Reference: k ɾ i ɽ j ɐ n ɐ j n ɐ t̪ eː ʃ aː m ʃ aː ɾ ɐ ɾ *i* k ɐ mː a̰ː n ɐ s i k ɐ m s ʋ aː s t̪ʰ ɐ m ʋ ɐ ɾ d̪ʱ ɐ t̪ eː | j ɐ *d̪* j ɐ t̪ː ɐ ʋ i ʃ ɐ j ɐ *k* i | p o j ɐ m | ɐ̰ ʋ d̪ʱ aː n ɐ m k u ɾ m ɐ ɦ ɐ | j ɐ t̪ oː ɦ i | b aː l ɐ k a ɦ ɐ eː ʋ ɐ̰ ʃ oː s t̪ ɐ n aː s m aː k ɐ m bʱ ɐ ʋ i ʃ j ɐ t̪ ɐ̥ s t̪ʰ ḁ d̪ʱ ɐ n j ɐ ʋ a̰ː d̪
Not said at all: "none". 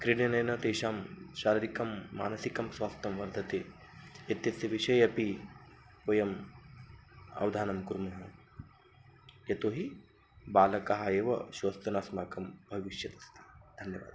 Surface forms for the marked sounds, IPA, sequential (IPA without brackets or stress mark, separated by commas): i, t̪, p